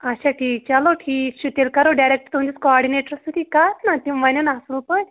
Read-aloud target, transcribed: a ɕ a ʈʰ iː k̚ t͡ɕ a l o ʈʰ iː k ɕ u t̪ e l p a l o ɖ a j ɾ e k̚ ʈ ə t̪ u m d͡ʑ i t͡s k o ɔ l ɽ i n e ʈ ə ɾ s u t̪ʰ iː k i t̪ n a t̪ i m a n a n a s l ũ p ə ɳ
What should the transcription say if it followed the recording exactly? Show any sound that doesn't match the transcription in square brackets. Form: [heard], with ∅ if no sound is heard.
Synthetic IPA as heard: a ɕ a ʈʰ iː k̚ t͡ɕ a l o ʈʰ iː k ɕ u t̪ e l [k] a [ɾ] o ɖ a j ɾ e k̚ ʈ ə t̪ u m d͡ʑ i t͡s k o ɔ [ɾ] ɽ i n e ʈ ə ɾ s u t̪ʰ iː k [a] t̪ n a t̪ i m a n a n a s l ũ p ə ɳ

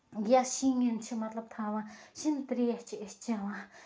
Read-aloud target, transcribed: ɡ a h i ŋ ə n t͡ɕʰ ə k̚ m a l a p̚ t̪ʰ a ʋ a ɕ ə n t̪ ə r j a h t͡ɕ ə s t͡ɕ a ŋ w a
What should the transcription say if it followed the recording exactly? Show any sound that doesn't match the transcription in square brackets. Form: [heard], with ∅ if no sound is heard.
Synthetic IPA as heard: ɡ a [ɕ] i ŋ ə n t͡ɕʰ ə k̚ m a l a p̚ t̪ʰ a [w] a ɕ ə n t̪ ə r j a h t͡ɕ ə [h] t͡ɕ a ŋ w a

